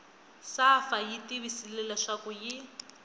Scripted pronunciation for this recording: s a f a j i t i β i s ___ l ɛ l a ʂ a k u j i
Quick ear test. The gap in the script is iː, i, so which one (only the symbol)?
i